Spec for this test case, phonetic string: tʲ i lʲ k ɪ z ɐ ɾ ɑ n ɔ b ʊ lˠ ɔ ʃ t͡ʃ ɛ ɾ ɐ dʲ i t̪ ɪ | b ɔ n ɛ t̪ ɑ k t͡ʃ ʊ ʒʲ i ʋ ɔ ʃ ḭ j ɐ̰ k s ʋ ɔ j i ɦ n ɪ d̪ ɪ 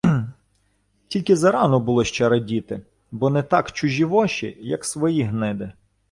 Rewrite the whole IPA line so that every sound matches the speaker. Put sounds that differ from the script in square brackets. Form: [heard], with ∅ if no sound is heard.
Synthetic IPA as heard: tʲ i lʲ k ɪ z ɐ ɾ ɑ n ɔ b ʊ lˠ ɔ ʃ t͡ʃ ɛ ɾ ɐ dʲ i t̪ ɪ | b ɔ n ɛ t̪ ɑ k t͡ʃ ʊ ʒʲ i ʋ ɔ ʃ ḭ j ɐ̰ k s ʋ ɔ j i ɦ n ɪ d̪ ɪ

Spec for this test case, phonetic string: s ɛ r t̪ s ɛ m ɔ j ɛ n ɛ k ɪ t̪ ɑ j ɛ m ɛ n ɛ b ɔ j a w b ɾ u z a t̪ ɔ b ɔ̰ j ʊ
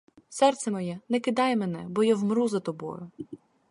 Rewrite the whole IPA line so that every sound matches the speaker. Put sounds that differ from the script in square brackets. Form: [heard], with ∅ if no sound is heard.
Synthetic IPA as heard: s ɛ r t̪ s ɛ m ɔ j ɛ n ɛ k ɪ [d̪] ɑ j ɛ m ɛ n ɛ b ɔ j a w [m] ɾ u z [ɐ] t̪ ɔ b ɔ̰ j ʊ

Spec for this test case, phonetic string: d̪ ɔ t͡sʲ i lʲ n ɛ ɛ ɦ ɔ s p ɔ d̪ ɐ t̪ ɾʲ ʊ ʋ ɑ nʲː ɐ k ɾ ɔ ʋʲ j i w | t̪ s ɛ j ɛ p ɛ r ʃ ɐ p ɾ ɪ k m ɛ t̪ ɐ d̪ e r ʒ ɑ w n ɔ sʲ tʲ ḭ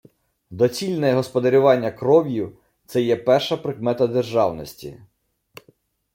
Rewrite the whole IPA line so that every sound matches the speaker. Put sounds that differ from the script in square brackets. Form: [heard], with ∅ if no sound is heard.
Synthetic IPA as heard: d̪ ɔ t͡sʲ i lʲ n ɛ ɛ ɦ ɔ s p ɔ d̪ ɐ [∅] ɾʲ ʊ ʋ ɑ nʲː ɐ k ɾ ɔ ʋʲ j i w | t̪ s ɛ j ɛ p ɛ r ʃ ɐ p ɾ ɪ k m ɛ t̪ ɐ d̪ e r ʒ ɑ w n ɔ sʲ tʲ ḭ

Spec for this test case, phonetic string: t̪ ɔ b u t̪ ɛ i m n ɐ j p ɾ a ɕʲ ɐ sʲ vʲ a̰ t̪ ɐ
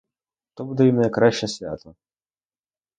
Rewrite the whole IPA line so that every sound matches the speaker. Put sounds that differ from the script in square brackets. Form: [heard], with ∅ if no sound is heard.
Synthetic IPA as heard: t̪ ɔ b u [d̪] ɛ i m n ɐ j [k] ɾ a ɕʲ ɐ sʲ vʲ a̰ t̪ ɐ

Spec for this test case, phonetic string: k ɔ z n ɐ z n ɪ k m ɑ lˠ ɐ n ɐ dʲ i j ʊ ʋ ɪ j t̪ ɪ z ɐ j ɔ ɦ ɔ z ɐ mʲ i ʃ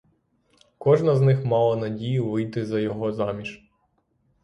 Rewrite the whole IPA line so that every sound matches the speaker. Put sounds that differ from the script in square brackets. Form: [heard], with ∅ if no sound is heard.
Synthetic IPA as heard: k ɔ [ʒ] n ɐ z n ɪ [x] m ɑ lˠ ɐ n ɐ dʲ i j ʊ ʋ ɪ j t̪ ɪ z ɐ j ɔ ɦ ɔ z [ɑ] mʲ i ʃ

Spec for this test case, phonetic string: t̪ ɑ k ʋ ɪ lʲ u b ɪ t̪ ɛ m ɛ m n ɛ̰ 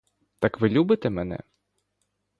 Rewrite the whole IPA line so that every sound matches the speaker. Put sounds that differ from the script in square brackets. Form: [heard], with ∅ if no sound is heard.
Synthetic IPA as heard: t̪ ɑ k ʋ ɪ lʲ u b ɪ t̪ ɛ m ɛ [∅] n ɛ̰

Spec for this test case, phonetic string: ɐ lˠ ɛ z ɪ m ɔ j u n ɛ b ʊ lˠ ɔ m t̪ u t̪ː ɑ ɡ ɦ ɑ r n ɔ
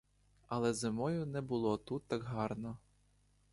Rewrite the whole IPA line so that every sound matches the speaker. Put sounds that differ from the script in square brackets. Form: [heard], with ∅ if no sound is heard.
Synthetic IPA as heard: ɐ lˠ ɛ z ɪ m ɔ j [ʊ] n ɛ b ʊ lˠ ɔ [∅] t̪ u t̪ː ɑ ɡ ɦ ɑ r n ɔ

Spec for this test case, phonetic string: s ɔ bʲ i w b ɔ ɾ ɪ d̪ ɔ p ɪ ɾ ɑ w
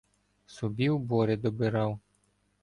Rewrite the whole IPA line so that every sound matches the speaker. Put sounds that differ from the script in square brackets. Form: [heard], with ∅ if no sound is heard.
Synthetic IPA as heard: s ɔ bʲ i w b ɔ ɾ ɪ d̪ ɔ [b] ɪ ɾ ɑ w

